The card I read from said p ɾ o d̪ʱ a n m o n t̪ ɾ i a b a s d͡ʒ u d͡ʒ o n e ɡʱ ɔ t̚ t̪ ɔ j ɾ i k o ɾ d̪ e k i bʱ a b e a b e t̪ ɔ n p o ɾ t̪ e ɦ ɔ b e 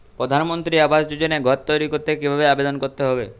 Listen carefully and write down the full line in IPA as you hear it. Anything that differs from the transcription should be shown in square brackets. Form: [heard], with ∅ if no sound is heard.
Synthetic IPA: p ɾ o d̪ʱ a n m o n t̪ ɾ i a b a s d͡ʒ u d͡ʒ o n e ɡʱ ɔ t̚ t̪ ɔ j ɾ i k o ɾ [t̪] e k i bʱ a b e a b e [d̪] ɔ n [k] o ɾ t̪ e ɦ ɔ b e